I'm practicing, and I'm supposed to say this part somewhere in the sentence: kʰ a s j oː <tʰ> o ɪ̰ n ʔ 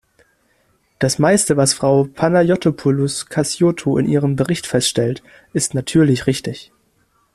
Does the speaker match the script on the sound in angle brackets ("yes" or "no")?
yes